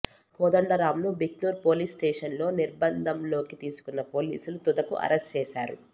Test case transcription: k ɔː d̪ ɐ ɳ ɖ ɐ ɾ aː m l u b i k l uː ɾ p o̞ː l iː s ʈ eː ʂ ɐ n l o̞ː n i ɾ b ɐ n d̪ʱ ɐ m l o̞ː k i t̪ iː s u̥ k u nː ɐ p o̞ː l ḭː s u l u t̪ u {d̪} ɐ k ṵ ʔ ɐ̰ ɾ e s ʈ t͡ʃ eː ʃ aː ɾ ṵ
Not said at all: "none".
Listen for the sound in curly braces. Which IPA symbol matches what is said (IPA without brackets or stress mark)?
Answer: d̪